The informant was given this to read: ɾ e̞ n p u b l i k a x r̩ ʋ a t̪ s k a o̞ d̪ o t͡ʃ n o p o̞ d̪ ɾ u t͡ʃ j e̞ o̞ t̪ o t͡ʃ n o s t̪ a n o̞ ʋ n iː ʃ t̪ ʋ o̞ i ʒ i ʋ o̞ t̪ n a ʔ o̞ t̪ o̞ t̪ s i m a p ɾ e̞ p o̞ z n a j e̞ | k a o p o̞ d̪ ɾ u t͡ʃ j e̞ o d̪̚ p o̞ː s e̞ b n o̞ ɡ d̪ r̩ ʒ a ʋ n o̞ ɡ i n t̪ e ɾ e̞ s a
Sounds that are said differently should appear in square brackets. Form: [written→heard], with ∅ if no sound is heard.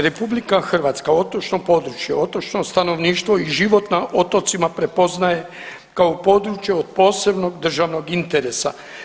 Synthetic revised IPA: ɾ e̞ [n→∅] p u b l i k a x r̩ ʋ a t̪ s k a o̞ [d̪→t̪] o t͡ʃ n o p o̞ d̪ ɾ u t͡ʃ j e̞ o̞ t̪ o t͡ʃ n o s t̪ a n o̞ ʋ n iː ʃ t̪ ʋ o̞ i ʒ i ʋ o̞ t̪ n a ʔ o̞ t̪ o̞ t̪ s i m a p ɾ e̞ p o̞ z n a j e̞ | k a o p o̞ d̪ ɾ u t͡ʃ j e̞ o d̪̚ p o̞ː s e̞ b n o̞ ɡ d̪ r̩ ʒ a ʋ n o̞ ɡ i n t̪ e ɾ e̞ s a